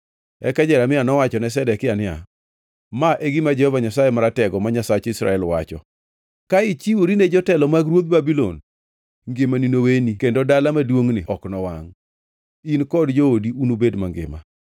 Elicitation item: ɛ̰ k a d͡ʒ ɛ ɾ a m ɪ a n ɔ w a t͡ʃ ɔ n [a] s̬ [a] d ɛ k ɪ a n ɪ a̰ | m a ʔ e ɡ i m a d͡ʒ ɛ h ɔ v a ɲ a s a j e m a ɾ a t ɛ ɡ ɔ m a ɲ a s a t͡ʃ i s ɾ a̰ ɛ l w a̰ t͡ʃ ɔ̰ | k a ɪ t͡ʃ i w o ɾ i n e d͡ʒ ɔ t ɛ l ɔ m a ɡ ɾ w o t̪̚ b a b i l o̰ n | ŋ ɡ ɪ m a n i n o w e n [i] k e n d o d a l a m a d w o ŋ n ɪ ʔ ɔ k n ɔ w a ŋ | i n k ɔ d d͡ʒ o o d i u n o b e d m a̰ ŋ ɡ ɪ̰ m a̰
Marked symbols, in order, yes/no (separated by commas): no, no, yes